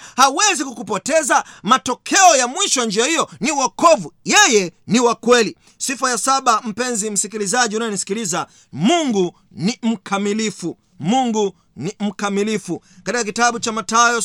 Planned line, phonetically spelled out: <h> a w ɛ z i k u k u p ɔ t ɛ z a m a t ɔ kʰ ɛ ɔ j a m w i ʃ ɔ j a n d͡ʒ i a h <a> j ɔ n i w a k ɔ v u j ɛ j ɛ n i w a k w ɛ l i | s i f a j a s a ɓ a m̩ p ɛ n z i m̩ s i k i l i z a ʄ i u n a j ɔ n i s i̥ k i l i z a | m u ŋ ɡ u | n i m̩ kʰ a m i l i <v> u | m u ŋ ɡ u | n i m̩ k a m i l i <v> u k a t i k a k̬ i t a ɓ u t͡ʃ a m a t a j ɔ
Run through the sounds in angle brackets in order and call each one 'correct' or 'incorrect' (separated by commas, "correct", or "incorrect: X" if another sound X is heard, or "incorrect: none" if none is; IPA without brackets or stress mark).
correct, incorrect: i, incorrect: f, incorrect: f